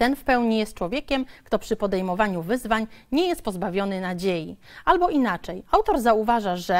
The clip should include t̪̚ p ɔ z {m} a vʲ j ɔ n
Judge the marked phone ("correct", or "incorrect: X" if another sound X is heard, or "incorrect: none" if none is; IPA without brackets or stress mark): incorrect: b